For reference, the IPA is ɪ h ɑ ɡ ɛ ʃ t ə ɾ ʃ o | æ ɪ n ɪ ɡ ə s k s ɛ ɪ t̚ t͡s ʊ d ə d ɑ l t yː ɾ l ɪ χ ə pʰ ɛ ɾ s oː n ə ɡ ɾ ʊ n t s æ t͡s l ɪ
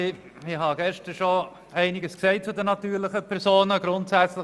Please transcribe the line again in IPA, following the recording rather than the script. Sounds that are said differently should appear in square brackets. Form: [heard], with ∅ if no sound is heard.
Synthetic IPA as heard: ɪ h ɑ ɡ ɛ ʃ t ə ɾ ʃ o | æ ɪ n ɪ ɡ ə s k s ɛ ɪ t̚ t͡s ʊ d ə [n] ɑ [∅] t yː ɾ l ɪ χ ə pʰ ɛ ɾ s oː n ə ɡ ɾ ʊ n t s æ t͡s l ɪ